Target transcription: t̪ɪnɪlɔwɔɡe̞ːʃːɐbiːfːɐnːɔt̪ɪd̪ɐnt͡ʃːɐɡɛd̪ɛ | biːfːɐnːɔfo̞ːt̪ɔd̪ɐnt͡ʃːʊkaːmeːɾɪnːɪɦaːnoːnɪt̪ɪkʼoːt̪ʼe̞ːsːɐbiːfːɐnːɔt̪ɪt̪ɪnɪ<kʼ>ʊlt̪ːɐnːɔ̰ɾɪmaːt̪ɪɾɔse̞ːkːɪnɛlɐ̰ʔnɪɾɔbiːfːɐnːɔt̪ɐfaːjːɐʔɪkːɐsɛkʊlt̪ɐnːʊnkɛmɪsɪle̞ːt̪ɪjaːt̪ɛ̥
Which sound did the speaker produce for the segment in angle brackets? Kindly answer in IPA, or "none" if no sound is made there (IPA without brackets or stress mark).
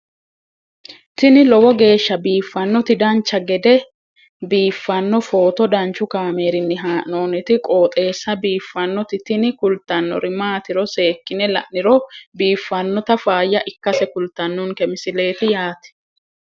k